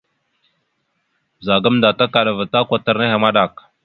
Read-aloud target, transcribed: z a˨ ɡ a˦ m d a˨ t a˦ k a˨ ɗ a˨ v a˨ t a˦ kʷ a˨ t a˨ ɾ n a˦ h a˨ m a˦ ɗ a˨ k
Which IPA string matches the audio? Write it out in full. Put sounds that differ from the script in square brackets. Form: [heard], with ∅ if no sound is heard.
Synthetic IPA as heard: z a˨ ɡ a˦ m d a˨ t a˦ k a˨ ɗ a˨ v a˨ t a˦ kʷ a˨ t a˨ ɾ n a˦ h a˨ m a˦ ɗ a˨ k

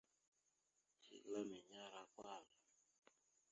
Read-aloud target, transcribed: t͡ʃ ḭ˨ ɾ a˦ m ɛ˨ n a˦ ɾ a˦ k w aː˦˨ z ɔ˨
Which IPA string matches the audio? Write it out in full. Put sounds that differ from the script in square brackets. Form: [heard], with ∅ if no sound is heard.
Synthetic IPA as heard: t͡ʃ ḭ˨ [l] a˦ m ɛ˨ [ɲ] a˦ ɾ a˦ k w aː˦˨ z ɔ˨

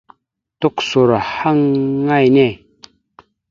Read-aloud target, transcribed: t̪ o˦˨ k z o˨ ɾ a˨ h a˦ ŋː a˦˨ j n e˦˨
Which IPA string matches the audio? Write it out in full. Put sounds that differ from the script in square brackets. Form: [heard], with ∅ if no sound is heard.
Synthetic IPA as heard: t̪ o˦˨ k [s] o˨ ɾ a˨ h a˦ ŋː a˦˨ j n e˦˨

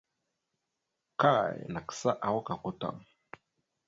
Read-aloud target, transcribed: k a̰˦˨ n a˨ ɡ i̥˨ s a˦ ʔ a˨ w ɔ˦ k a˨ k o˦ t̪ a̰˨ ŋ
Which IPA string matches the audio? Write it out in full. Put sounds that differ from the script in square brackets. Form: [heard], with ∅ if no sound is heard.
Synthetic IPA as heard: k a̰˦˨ n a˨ [k] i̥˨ s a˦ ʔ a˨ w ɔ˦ k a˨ k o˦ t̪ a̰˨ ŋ

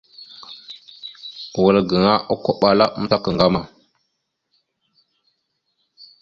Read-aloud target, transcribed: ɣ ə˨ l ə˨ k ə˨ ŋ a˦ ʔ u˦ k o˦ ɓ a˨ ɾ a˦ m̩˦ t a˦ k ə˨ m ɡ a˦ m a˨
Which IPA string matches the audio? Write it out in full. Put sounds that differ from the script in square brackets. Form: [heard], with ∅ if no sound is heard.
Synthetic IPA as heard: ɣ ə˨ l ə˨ [ɡ] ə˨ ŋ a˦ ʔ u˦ k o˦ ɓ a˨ [l] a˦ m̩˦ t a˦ k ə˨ [ŋ] ɡ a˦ m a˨

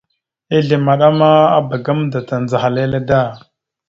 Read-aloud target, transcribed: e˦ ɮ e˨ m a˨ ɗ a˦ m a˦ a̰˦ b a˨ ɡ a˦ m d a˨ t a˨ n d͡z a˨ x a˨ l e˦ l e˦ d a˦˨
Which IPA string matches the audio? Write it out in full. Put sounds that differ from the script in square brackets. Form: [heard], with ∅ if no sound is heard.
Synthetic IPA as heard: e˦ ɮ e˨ m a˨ ɗ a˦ m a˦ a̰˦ b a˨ ɡ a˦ m d a˨ t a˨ n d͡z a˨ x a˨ l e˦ l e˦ d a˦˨

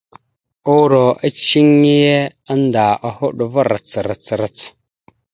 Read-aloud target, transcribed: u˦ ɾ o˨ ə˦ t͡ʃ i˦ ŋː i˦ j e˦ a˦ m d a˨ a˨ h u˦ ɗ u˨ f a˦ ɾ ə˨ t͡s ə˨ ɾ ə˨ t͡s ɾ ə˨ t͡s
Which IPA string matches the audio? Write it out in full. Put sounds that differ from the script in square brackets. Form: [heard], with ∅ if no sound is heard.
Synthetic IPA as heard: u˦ ɾ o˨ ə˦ t͡ʃ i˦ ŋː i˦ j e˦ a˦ [n] d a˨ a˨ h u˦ ɗ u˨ [v] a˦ ɾ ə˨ t͡s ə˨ ɾ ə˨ t͡s ɾ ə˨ t͡s

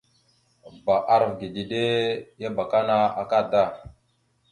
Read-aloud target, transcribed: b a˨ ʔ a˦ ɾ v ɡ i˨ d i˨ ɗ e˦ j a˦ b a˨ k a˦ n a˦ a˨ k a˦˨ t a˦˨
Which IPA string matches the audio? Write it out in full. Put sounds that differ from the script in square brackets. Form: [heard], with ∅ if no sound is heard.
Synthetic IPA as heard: b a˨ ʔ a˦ ɾ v ɡ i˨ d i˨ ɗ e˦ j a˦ b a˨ k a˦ n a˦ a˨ k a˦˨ [d] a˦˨

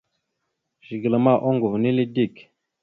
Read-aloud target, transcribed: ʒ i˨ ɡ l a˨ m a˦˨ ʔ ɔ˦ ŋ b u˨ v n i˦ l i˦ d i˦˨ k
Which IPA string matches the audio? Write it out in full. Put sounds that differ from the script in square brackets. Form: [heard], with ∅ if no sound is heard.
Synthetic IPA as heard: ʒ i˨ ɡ l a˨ m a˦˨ ʔ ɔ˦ ŋ [ɡ] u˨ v n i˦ l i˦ d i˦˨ k

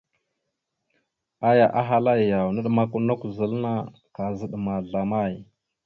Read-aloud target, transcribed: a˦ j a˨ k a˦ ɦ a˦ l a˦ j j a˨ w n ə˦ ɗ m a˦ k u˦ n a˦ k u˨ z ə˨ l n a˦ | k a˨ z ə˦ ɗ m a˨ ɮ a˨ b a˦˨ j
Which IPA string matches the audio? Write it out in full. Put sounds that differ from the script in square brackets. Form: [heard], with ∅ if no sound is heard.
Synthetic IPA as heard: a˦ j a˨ [ʔ] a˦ ɦ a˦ l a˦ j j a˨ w n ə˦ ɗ m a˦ k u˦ n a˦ k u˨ z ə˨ l n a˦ | k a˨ z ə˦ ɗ m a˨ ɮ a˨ [m] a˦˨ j

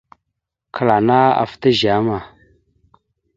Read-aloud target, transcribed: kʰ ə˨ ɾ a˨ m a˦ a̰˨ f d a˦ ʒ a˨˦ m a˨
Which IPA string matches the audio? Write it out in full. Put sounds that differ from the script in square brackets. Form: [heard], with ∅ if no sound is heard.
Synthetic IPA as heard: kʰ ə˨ [l] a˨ [n] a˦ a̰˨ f [t] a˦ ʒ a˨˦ m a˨

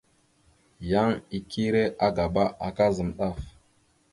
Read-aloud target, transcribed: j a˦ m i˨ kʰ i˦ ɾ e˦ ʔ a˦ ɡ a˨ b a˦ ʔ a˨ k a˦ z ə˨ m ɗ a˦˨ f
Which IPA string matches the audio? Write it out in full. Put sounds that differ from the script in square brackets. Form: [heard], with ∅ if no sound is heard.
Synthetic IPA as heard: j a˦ [ŋ] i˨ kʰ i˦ ɾ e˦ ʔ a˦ ɡ a˨ b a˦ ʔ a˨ k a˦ z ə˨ m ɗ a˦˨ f

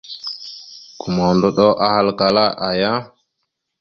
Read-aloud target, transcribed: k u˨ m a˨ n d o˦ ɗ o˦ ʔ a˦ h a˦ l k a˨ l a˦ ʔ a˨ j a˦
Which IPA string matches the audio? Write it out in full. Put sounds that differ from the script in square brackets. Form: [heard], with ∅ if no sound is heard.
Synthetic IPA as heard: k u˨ m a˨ n d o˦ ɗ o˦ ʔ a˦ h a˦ l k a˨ l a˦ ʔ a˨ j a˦

